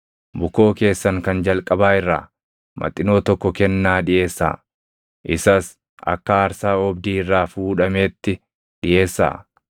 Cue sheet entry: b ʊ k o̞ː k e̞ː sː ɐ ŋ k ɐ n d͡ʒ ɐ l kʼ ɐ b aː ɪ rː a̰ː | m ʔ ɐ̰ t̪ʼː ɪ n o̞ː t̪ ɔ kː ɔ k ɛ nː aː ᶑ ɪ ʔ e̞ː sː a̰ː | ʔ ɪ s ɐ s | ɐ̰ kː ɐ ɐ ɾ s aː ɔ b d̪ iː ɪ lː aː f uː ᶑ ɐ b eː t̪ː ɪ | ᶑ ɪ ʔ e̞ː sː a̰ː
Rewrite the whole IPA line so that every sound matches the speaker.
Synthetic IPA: b ʊ k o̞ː k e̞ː sː ɐ ŋ k ɐ n d͡ʒ ɐ l kʼ ɐ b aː ɪ rː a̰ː | m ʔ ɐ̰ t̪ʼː ɪ n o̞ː t̪ ɔ kː ɔ k ɛ nː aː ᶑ ɪ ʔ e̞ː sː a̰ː | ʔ ɪ s ɐ s | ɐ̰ kː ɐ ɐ ɾ s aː ɔ b d̪ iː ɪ rː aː f uː ᶑ ɐ m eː t̪ː ɪ | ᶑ ɪ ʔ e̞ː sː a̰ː